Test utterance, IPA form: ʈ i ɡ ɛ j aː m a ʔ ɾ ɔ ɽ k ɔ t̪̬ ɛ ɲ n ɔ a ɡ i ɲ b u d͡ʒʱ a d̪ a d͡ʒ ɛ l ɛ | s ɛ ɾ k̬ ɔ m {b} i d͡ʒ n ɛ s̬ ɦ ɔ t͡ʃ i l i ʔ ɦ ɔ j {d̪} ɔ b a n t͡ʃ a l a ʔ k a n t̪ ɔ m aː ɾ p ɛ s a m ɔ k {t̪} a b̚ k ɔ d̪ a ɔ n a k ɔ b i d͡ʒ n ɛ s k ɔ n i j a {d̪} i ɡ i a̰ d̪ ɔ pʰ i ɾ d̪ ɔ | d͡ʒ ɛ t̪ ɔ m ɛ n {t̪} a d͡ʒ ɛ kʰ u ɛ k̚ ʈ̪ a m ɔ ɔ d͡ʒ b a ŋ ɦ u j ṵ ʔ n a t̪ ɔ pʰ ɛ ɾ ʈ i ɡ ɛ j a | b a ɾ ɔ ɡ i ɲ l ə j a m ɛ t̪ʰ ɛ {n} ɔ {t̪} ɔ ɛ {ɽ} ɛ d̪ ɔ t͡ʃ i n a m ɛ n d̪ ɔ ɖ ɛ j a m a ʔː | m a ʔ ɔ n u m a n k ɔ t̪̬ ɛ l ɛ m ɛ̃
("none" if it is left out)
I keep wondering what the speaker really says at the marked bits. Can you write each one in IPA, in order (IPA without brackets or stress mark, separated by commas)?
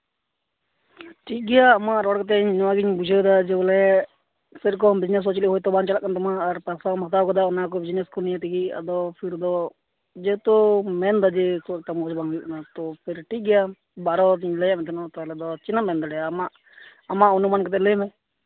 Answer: b, t̪, t̪, t̪, d̪, n, t̪, l